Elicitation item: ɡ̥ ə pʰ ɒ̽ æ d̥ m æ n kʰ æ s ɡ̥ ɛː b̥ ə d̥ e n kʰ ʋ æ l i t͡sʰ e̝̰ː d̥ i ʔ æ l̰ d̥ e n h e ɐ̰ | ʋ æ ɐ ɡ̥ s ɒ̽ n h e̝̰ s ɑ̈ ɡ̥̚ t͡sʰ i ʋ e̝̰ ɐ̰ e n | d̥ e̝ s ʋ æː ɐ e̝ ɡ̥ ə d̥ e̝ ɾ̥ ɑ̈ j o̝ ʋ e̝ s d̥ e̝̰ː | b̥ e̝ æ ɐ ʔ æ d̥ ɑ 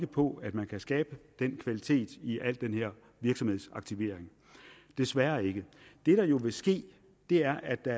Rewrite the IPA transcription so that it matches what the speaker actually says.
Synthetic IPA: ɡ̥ ə pʰ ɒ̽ æ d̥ m æ n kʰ æ s ɡ̥ ɛː b̥ ə d̥ e n kʰ ʋ æ l i t͡sʰ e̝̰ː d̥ i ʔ æ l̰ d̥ e n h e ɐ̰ | ʋ i ɐ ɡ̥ s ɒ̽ m h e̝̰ s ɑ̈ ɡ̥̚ t͡sʰ i ʋ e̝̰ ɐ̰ e ŋ | d̥ e̝ s ʋ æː ɐ e̝ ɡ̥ ə d̥ e̝ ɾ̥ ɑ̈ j o̝ ʋ e̝ s ɡ̥ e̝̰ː | d̥ e̝ æ ɐ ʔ æ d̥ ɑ